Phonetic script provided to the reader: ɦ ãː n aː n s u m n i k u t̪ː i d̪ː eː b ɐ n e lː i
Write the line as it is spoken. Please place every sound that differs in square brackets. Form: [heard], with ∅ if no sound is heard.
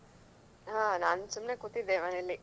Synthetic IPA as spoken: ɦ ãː n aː n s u m n [e] k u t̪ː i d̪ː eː [m] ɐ n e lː i